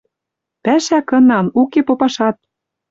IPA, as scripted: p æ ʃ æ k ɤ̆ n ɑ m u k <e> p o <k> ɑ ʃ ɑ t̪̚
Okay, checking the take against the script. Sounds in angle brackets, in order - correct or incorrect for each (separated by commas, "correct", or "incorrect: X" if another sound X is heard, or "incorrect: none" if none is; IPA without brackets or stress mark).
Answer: correct, incorrect: p